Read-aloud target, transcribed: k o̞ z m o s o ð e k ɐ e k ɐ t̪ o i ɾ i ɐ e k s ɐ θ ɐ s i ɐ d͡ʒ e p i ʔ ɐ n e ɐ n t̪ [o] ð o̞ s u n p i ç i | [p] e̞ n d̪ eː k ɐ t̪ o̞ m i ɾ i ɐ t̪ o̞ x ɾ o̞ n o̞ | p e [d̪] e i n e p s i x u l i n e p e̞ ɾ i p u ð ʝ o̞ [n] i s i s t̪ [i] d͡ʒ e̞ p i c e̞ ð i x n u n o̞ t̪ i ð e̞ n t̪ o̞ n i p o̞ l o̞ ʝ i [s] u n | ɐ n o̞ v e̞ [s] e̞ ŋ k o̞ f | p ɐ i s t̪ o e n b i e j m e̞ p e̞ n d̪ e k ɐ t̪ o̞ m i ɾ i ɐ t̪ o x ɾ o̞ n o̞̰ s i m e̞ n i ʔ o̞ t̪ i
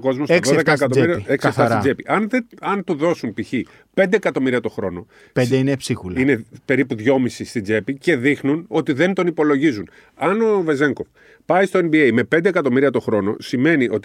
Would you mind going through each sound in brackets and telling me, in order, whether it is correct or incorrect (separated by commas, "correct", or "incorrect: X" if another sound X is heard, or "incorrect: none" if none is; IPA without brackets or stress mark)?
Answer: incorrect: u, correct, correct, incorrect: m, correct, incorrect: z, incorrect: z